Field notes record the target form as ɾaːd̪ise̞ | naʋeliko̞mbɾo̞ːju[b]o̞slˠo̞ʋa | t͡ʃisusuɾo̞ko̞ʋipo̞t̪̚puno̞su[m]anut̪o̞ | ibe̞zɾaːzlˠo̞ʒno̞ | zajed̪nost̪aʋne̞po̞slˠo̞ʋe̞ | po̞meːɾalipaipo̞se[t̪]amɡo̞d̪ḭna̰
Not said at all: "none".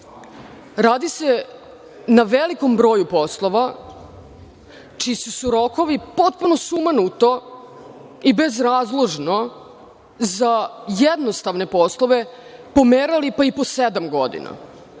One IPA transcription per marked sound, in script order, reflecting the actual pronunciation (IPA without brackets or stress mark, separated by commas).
p, m, d̪